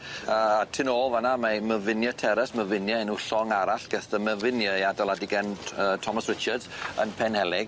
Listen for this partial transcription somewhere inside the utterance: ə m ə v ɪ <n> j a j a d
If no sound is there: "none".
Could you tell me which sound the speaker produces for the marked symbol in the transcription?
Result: n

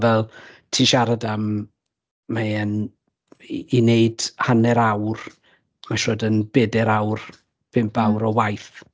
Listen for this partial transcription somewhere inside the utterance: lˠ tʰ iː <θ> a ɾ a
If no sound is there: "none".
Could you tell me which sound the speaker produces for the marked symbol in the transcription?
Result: ʃ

